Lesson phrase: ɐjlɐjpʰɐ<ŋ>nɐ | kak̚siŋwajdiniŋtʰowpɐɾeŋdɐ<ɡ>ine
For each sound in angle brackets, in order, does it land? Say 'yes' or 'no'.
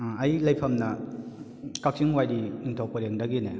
no, yes

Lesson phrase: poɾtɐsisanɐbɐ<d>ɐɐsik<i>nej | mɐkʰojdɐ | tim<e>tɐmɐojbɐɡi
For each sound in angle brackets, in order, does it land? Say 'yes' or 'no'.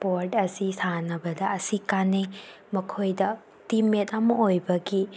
yes, no, yes

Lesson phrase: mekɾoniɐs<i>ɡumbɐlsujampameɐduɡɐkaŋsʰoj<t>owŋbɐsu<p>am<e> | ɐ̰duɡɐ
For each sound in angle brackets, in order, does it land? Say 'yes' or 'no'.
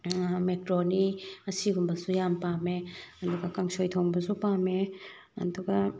yes, no, yes, yes

